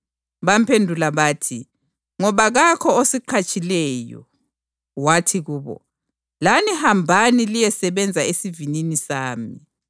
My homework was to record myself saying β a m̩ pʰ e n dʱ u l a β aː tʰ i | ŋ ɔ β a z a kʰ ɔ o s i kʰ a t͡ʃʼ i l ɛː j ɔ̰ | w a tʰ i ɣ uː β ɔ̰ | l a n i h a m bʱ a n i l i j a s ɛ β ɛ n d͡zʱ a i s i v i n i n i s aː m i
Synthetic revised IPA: β a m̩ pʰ e n dʱ u l a β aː tʰ i | ŋ ɔ β a ɣ a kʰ ɔ o s i ǃʰ a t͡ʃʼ i l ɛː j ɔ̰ | w a tʰ i ɣ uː β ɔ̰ | l a n i h a m bʱ a n i l i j ɛ s ɛ β ɛ n d͡zʱ a e s i v i n i n i s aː m i

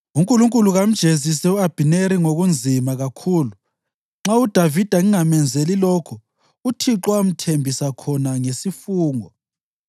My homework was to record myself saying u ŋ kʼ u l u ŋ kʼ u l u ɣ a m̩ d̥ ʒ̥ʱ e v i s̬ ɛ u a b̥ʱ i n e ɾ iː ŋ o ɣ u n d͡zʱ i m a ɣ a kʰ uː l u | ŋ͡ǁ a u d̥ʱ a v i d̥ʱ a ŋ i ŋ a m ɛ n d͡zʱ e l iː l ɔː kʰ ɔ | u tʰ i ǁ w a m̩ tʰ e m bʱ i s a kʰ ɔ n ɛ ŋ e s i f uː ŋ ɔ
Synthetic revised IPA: u ŋ kʼ u l u ŋ kʼ u l u ɣ a m̩ d̥ ʒ̥ʱ e z i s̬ ɛ u a b̥ʱ i n e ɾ i ŋ o ɣ u n d͡zʱ i m a ɣ a kʰ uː l u | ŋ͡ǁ a u d̥ʱ a v i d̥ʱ a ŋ i ŋ a m ɛ n d͡zʱ e l i l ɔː kʰ ɔ | u tʰ i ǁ w a m̩ tʰ e m bʱ i s a kʰ ɔ n a ŋ e s i f uː ŋ ɔ

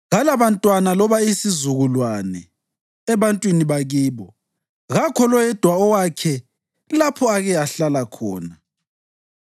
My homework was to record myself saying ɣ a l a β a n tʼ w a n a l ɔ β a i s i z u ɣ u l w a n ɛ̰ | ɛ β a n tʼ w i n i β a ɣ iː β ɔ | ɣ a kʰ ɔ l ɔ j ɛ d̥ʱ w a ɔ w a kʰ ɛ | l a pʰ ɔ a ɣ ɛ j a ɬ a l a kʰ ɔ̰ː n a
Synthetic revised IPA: ɣ a l a β a n tʼ w a n a l ɔ β a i s i z u ɣ u l w a n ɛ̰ | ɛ β a n tʼ w i n i β a ɣ iː β ɔ | ɣ a kʰ ɔ l ɔ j ɛ d̥ʱ w a ɔ w a kʰ ɛ | l a pʰ ɔ a ɣ ɛ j a ɬ a l a kʰ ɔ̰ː n a

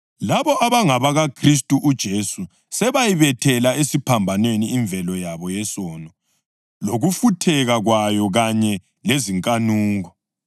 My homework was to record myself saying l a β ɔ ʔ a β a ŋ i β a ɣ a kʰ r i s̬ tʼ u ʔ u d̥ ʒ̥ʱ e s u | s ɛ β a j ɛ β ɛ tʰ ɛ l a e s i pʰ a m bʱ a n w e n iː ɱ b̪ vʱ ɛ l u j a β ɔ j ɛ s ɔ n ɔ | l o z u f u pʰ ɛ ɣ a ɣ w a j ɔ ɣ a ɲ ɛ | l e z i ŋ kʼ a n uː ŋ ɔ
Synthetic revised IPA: l a β ɔ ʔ a β a ŋ a β a ɣ a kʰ r i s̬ tʼ u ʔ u d̥ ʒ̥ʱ e s u | s ɛ β a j i β ɛ tʰ ɛ l a e s i pʰ a m bʱ a n w e n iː ɱ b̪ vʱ ɛ l ɔ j a β ɔ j ɛ s ɔ n ɔ | l o ɣ u f u tʰ ɛ ɣ a ɣ w a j ɔ ɣ a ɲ ɛ | l e z i ŋ kʼ a n uː ŋ ɔ

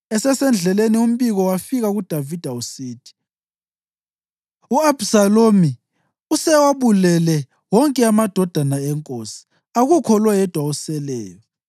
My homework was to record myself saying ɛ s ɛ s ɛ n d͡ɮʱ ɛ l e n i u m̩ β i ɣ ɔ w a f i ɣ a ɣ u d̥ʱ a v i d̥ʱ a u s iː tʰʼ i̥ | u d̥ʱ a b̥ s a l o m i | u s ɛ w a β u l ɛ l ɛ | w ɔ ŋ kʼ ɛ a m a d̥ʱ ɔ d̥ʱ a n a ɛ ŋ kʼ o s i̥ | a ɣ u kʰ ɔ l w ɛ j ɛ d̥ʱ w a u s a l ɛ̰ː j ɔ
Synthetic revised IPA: ɛ s ɛ s ɛ n d͡ɮʱ ɛ l e n i u m̩ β i ɣ ɔ w a f i ɣ a ɣ u d̥ʱ a v i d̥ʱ a u s iː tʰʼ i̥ | u a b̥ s a l o m i | u s ɛ w a β u l ɛ l ɛ | w ɔ ŋ kʼ ɛ a m a d̥ʱ ɔ d̥ʱ a n a ɛ ŋ kʼ o s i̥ | a ɣ u kʰ ɔ l w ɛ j ɛ d̥ʱ w a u s ɛ l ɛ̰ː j ɔ

